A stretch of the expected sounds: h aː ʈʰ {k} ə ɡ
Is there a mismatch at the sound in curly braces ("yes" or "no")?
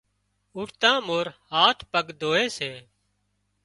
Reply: yes